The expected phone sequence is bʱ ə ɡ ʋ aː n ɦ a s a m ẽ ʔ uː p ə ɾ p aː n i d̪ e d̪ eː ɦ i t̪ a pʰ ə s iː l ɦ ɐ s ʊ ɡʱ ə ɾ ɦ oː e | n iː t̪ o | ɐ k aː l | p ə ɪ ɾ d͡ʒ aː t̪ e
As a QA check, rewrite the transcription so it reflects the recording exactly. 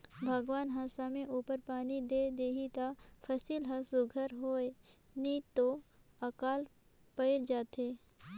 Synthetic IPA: bʱ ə ɡ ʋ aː n ɦ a s a m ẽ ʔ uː p ə ɾ p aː n i d̪ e d̪ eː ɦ i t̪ a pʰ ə s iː l ɦ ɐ s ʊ ɡʱ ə ɾ ɦ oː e | n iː t̪ o | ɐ k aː l | p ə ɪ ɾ d͡ʒ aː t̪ e